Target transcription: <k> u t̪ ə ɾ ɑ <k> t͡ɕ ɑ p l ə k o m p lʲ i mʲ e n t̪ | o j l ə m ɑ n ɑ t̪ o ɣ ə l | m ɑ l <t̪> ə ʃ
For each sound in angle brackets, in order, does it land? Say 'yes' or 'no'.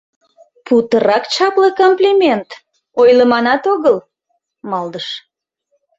no, yes, no

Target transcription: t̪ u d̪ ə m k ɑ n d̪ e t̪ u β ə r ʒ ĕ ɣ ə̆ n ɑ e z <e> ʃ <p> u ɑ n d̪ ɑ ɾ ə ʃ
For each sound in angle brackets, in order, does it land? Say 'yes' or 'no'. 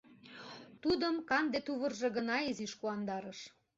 no, no

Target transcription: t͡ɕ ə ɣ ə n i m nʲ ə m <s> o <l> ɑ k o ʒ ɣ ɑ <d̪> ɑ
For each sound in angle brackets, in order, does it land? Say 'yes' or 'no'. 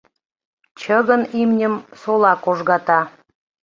yes, yes, no

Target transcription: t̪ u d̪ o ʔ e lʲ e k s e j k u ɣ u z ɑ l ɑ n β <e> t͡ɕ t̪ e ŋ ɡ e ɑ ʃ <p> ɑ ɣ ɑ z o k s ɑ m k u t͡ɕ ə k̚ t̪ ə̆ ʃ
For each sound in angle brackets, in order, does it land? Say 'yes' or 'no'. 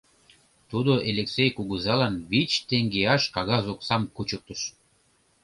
no, no

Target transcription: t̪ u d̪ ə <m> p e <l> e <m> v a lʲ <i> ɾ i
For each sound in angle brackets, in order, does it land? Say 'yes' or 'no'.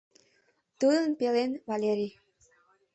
no, yes, no, no

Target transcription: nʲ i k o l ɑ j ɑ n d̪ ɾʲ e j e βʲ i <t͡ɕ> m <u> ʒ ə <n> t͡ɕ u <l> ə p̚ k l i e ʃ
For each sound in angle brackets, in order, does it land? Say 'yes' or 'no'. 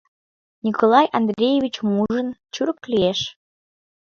yes, yes, yes, no

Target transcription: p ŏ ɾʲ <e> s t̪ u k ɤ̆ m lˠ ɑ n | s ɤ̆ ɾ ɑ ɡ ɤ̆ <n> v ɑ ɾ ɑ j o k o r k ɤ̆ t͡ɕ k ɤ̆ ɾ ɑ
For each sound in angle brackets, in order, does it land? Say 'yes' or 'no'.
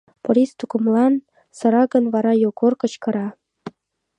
no, yes

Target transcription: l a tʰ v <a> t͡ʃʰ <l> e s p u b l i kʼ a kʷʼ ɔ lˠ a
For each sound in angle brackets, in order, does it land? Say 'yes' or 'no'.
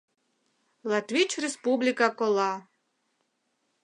no, no

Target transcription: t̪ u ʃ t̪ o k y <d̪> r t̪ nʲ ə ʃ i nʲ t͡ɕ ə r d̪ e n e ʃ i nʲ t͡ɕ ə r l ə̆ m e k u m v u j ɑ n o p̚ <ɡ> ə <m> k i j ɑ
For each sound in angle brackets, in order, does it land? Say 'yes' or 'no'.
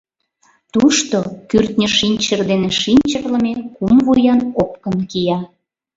no, no, no

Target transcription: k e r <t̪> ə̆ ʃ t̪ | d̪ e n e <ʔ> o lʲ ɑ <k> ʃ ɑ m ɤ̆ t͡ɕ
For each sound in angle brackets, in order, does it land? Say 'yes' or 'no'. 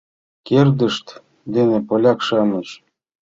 no, no, yes

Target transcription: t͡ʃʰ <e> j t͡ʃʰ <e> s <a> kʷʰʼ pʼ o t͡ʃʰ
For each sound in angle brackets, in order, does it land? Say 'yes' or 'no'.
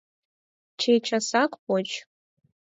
yes, no, yes

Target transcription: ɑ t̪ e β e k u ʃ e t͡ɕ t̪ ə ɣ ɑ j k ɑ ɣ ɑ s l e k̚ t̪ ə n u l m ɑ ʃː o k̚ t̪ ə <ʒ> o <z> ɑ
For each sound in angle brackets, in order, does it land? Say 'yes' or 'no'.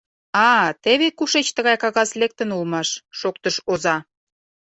no, yes

